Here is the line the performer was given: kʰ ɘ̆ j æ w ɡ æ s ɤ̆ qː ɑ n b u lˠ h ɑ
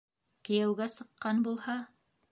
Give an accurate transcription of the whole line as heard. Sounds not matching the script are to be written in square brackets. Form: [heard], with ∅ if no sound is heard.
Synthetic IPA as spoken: [k] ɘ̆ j æ w ɡ æ s ɤ̆ qː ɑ n b u lˠ h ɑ